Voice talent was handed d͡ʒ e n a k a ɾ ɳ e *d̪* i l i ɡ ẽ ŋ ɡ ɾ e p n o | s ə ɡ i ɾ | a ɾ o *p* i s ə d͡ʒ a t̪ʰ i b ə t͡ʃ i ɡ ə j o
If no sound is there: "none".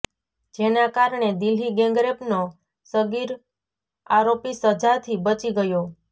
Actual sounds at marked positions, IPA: d̪, p

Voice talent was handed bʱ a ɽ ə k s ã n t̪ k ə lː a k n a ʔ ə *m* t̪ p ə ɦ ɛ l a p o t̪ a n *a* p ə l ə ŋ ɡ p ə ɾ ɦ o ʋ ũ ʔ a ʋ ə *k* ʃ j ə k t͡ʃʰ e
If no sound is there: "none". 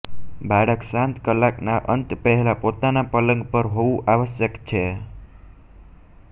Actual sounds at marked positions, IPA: n, a, none

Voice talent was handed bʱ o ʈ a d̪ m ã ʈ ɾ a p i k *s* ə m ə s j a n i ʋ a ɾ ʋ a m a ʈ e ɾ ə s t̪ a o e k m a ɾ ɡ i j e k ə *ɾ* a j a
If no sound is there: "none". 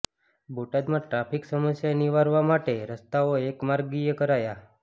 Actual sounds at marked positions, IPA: s, ɾ

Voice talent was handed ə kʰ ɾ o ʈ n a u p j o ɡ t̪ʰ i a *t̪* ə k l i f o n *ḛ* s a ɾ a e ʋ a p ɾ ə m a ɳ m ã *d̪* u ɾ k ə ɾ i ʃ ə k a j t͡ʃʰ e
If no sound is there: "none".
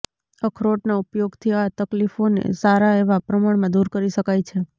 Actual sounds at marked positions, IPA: t̪, ḛ, d̪

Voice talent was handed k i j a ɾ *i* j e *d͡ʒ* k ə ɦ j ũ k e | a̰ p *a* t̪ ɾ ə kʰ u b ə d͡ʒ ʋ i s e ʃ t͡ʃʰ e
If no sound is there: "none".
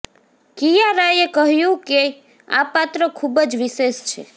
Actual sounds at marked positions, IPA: a, none, a

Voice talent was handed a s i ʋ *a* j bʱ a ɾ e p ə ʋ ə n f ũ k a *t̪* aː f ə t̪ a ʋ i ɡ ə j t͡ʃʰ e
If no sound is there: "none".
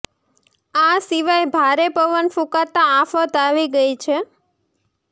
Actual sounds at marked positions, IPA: a, t̪

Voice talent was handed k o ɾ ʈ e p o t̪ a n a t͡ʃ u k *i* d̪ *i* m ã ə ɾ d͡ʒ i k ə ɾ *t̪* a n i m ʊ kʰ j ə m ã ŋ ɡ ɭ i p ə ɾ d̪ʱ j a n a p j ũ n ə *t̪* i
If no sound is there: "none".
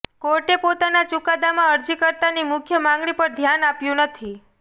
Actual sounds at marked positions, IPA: a, a, t̪, t̪ʰ

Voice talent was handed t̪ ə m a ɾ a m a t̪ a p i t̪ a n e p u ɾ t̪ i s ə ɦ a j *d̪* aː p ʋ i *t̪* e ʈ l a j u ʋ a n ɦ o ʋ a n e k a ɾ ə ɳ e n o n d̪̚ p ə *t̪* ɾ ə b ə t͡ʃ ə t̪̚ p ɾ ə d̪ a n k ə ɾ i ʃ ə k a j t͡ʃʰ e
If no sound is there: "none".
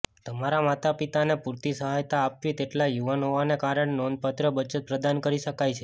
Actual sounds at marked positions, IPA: t̪, t̪, t̪

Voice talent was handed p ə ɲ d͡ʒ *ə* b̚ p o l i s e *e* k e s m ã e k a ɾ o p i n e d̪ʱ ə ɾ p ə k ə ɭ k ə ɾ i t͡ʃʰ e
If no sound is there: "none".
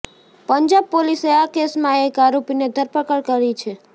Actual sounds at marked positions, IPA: a, a

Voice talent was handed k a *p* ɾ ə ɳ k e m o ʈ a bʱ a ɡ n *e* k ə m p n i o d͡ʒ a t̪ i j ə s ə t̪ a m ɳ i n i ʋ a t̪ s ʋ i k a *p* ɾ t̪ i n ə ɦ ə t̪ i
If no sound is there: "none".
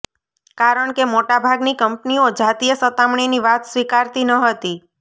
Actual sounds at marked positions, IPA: none, i, none

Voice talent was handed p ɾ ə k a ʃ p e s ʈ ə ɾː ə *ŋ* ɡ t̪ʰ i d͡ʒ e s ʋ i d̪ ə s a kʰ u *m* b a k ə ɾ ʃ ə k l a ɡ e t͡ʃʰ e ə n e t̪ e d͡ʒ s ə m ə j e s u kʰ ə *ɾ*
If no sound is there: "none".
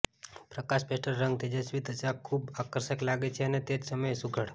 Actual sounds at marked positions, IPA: ŋ, none, ɽ

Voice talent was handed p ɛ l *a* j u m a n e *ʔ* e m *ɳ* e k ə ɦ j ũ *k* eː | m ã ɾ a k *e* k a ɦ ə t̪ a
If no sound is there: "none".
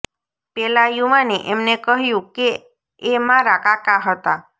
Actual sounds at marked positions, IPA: a, ʔ, n, k, a

